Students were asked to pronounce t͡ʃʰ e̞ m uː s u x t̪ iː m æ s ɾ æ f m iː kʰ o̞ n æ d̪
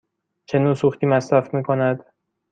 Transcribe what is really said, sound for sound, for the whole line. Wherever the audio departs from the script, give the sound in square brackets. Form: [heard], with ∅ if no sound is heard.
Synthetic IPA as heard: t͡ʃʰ e̞ [n] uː s u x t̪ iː m æ s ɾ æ f m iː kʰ o̞ n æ d̪